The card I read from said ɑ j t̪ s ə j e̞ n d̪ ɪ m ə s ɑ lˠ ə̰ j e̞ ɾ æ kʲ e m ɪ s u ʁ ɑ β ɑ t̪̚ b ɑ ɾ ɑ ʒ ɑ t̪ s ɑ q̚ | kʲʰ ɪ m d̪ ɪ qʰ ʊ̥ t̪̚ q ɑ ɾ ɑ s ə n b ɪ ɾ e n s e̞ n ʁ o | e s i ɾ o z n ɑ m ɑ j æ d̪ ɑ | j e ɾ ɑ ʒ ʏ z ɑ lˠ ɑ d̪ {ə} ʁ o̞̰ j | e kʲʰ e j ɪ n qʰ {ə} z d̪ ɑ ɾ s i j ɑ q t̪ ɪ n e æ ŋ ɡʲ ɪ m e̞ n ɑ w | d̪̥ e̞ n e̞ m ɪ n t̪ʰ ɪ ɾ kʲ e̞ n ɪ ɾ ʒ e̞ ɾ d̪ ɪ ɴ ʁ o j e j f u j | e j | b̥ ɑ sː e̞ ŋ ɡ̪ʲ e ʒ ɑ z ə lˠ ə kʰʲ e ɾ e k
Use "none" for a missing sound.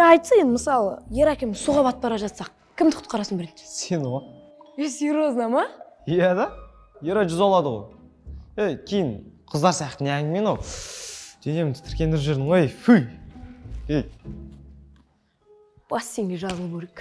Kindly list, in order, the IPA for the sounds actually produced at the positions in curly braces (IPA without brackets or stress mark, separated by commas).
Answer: ə, ə